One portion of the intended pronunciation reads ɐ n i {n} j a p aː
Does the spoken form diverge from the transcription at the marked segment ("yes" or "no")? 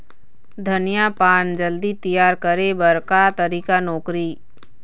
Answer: yes